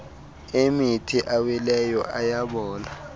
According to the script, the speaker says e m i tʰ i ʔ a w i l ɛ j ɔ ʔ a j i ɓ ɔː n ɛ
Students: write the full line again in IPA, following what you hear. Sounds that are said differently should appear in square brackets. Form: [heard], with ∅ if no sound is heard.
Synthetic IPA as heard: e m i tʰ i ʔ a w i l ɛ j ɔ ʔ a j [a] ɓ ɔː n [a]